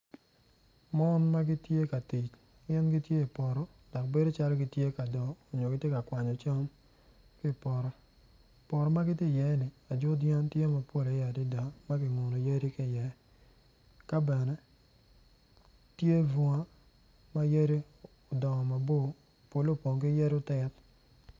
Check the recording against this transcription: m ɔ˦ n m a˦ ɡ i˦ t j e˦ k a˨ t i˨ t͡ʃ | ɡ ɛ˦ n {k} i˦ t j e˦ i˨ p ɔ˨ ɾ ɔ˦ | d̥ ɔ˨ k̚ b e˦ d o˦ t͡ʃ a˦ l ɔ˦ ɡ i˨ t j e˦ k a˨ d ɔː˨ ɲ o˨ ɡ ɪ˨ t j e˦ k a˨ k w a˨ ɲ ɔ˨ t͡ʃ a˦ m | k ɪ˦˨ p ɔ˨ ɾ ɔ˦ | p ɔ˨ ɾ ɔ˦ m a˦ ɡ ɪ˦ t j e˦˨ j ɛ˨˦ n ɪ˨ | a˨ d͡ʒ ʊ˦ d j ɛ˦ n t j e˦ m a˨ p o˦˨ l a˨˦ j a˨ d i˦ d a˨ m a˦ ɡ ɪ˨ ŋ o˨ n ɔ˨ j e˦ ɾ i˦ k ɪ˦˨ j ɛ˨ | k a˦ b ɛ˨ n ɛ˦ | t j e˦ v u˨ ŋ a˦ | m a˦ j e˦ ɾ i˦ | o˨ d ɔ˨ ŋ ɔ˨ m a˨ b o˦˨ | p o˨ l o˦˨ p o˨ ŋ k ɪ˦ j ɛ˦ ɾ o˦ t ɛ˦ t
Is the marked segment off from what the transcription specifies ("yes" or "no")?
yes